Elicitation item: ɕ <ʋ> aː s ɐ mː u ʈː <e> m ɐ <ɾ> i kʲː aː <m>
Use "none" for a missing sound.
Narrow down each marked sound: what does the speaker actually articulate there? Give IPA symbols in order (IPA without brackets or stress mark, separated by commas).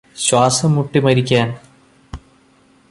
w, i, ɾ, n